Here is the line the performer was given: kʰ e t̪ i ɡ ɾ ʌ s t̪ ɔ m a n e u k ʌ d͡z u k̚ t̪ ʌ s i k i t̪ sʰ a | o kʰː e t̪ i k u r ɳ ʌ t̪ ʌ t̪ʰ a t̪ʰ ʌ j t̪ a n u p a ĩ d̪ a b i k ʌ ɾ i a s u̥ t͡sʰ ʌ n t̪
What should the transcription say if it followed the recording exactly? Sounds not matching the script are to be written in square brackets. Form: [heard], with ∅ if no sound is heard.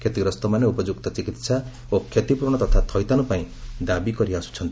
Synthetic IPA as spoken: kʰ e t̪ i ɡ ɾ ʌ s t̪ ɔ m a n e u [p] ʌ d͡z u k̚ t̪ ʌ [t͡s] i k i t̪ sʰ a | o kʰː e t̪ i [p] u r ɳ ʌ t̪ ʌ t̪ʰ a t̪ʰ ʌ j t̪ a n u p a ĩ d̪ a b i k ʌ ɾ i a s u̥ t͡sʰ ʌ n t̪